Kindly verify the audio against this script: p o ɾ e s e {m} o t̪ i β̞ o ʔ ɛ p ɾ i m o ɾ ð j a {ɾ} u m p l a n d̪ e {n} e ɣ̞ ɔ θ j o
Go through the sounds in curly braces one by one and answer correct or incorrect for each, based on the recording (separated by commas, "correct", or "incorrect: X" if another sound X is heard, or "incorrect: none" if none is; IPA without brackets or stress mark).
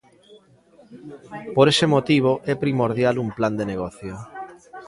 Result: correct, incorrect: l, correct